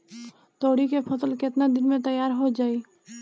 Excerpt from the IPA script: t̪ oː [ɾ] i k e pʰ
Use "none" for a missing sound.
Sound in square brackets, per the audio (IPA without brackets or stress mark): ɽ